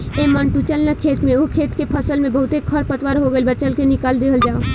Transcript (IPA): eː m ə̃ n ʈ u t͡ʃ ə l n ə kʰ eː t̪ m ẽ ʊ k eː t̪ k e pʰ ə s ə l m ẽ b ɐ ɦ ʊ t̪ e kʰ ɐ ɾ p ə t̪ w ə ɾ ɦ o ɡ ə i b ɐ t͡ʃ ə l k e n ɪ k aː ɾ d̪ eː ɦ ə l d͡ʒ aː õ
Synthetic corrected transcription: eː m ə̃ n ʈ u t͡ʃ ə l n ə kʰ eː t̪ m ẽ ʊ kʰ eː t̪ k e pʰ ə s ə l m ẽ b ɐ ɦ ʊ t̪ e kʰ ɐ ɾ p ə t̪ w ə ɾ ɦ o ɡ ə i b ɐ t͡ʃ ə l k e n ɪ k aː l d̪ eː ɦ ə l d͡ʒ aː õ